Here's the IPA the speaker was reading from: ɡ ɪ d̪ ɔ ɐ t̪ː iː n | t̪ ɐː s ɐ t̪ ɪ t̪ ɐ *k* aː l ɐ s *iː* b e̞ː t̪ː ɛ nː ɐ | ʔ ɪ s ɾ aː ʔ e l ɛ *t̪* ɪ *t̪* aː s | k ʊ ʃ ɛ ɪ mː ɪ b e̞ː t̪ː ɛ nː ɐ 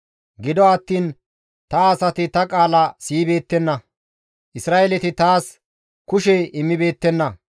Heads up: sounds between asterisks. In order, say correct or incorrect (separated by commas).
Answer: incorrect, correct, correct, correct